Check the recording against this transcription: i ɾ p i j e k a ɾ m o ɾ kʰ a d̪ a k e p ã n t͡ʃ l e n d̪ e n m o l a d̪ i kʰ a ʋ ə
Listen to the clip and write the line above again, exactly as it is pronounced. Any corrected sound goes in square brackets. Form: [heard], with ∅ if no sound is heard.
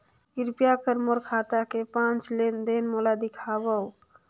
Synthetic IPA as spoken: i ɾ p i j [a] k [ə] ɾ m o ɾ kʰ a [t̪] a k e p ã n t͡ʃ l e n d̪ e n m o l a d̪ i kʰ a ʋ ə